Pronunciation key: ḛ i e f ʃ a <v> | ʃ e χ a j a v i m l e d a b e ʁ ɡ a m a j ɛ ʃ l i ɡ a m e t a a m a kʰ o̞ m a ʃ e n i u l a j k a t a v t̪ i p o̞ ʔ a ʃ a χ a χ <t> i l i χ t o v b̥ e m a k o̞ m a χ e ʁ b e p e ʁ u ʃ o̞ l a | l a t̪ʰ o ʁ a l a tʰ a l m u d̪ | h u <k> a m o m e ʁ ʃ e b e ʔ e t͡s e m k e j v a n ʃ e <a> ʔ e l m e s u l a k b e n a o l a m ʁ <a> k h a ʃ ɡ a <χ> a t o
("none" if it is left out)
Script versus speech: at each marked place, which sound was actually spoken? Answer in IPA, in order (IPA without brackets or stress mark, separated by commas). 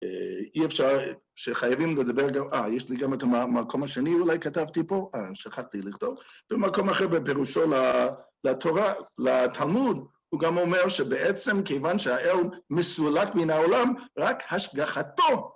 ʁ, t, ɡ, a, a, χ